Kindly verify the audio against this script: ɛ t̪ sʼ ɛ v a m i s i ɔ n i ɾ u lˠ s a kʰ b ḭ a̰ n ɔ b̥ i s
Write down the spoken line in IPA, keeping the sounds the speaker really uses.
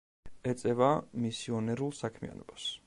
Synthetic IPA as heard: ɛ t̪ sʼ ɛ v a m i s i ɔ n ɛ ɾ u lˠ s a kʰ m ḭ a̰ n ɔ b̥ a s